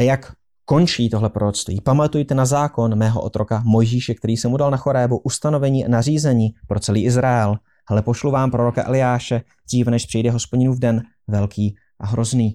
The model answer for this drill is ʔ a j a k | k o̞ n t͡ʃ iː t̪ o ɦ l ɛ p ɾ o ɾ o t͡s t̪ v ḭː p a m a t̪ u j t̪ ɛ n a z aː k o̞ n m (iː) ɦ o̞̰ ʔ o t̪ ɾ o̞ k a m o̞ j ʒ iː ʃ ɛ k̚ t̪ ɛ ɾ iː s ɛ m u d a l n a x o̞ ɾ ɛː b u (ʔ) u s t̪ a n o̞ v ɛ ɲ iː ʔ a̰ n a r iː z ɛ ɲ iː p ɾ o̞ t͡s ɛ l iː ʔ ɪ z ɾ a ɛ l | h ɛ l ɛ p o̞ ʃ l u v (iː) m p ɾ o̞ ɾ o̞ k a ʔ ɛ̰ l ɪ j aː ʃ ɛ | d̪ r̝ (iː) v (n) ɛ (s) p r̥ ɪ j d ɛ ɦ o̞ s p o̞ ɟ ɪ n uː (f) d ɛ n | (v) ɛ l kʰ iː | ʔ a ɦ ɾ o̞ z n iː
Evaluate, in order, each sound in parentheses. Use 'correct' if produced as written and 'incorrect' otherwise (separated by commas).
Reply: incorrect, correct, incorrect, correct, correct, incorrect, incorrect, correct